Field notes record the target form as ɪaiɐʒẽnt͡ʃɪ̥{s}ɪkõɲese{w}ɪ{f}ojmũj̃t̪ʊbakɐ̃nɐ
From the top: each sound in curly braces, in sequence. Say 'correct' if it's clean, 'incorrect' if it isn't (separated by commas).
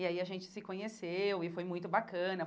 correct, correct, correct